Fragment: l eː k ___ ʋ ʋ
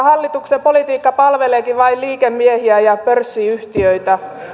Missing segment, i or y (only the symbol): i